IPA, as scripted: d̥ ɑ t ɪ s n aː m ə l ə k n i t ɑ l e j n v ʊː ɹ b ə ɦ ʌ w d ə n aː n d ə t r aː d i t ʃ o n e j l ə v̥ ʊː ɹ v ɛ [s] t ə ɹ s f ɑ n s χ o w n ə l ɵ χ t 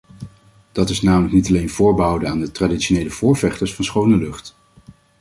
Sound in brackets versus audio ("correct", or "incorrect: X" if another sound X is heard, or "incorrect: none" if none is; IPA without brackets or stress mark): incorrect: χ